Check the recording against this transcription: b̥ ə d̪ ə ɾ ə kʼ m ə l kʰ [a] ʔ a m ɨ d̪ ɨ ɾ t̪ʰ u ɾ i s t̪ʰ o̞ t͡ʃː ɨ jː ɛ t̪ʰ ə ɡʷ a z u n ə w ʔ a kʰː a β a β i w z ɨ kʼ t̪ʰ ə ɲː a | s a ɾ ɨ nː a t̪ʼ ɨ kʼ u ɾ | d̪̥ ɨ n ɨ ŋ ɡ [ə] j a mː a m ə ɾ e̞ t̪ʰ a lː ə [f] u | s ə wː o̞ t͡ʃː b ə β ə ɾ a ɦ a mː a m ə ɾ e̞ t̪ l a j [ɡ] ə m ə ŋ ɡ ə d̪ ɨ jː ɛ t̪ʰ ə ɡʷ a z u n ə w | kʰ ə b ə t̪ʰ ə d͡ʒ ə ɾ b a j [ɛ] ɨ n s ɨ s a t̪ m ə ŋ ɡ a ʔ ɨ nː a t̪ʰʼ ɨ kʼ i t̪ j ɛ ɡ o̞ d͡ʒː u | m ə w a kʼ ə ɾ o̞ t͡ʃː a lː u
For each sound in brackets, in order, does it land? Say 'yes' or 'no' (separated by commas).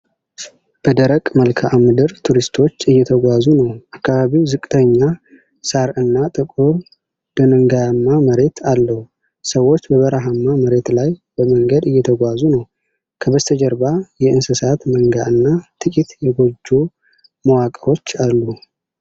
yes, no, no, no, yes